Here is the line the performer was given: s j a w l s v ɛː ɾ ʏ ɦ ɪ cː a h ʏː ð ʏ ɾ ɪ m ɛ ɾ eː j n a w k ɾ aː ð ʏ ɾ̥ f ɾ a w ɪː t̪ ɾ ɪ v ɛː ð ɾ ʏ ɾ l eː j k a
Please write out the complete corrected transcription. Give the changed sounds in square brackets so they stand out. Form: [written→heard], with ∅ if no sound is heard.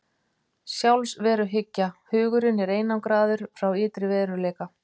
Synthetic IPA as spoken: s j a w l s v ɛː ɾ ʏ ɦ ɪ cː a h ʏː [ð→ɣ] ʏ ɾ ɪ [m→n] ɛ ɾ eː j n a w k ɾ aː ð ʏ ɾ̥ f ɾ a w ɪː t̪ ɾ ɪ v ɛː ð ɾ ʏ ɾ l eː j k a